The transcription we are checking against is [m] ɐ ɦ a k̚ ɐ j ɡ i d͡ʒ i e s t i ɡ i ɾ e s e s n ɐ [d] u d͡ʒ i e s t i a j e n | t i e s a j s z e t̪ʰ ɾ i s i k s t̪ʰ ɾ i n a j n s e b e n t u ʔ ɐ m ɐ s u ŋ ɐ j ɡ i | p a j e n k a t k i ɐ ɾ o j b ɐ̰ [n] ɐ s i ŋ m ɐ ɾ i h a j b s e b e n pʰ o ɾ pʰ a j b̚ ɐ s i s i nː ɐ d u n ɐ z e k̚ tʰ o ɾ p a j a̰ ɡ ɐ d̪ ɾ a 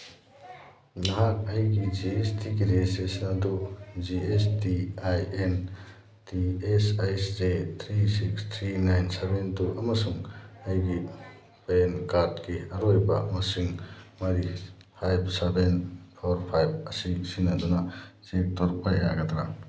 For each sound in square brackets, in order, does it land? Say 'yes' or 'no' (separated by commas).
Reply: no, yes, no